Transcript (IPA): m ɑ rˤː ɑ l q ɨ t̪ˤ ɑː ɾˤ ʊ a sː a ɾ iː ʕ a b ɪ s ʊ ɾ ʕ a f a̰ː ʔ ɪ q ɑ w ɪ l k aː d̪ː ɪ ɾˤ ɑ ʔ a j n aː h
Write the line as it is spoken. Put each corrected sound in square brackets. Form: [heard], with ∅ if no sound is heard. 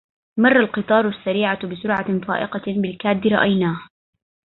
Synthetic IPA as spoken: m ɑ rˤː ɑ l q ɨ t̪ˤ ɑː ɾˤ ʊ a sː a ɾ iː ʕ a b ɪ s ʊ ɾ ʕ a f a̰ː ʔ ɪ q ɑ [b] ɪ l k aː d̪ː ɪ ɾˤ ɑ ʔ a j n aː h